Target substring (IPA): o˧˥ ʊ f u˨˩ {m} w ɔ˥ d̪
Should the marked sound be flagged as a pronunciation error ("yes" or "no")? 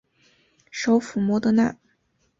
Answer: no